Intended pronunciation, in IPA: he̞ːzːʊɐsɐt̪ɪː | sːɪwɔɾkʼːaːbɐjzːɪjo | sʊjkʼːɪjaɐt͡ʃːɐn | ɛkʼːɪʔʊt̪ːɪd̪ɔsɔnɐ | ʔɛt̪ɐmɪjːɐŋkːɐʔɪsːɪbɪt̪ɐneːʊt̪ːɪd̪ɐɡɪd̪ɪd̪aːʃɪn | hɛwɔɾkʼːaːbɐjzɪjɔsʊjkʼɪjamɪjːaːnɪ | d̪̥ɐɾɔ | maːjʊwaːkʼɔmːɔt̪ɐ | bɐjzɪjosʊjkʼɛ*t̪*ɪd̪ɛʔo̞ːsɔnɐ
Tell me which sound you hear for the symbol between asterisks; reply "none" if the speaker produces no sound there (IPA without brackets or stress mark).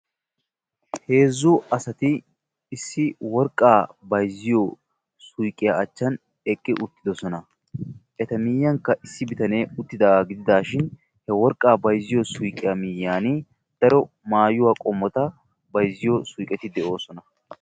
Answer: t̪